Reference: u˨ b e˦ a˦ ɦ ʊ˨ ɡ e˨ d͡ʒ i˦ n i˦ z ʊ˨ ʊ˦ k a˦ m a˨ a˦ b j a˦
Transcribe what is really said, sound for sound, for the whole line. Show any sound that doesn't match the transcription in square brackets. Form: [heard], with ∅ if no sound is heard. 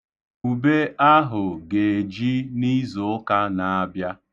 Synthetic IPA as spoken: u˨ b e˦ a˦ ɦ ʊ˨ ɡ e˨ d͡ʒ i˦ n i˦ z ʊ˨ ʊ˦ k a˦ [n] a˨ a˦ b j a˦